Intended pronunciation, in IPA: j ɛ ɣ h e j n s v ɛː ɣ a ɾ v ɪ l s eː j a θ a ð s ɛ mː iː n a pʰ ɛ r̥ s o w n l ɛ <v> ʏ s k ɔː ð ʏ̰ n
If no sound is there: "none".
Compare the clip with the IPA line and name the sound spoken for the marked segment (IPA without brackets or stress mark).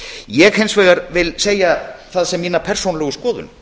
ɣ